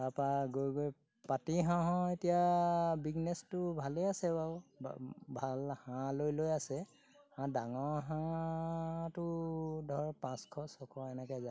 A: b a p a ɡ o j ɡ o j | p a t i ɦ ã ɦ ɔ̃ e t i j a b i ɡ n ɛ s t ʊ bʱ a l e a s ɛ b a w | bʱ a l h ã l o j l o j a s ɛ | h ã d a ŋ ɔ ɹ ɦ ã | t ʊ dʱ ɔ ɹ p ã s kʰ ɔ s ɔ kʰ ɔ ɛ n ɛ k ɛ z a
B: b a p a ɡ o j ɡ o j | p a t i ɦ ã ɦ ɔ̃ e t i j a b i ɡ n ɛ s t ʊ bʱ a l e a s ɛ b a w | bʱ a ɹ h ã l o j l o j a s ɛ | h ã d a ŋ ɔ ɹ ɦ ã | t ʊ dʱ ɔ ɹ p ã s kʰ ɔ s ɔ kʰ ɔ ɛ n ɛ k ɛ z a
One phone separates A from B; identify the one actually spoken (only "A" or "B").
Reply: A